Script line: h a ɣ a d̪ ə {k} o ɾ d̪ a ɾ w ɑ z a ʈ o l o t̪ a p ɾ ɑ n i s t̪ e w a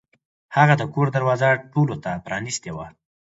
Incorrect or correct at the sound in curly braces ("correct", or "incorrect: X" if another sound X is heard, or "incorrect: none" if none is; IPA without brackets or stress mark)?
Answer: correct